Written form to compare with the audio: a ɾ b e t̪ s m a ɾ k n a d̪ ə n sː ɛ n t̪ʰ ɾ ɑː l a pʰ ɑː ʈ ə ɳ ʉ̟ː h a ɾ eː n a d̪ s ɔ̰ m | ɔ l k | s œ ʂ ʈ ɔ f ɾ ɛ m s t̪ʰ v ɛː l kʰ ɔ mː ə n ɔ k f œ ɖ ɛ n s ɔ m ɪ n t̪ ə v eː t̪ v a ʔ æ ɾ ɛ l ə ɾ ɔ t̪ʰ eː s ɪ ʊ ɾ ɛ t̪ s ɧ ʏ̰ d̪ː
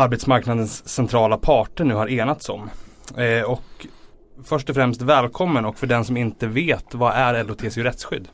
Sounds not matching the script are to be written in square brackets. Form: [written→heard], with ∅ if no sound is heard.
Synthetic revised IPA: a ɾ b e t̪ s m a ɾ k n a d̪ ə n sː ɛ n t̪ʰ ɾ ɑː l a pʰ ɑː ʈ ə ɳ ʉ̟ː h a ɾ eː n a [d̪→t̪] s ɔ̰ m | ɔ [l→∅] k | [s→f] œ ʂ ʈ ɔ f ɾ ɛ m s [t̪ʰ→t̪] v ɛː l kʰ ɔ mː ə n ɔ k f œ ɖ ɛ n s ɔ m ɪ n t̪ ə v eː t̪ v a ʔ æ ɾ ɛ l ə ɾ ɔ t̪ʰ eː s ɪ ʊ ɾ ɛ t̪ s ɧ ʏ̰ d̪ː